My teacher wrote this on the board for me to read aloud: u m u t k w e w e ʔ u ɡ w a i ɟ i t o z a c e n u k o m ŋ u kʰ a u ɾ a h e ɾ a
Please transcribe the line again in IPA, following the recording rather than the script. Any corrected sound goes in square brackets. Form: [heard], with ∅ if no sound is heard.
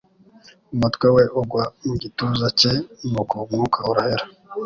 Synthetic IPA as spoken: u m u t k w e w e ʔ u ɡ w a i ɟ i t [u] z a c e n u k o m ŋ u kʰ a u ɾ a h e ɾ a